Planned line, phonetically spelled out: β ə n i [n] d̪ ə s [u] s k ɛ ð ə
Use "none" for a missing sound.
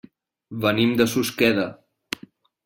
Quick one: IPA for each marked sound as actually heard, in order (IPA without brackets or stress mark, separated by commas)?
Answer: m, u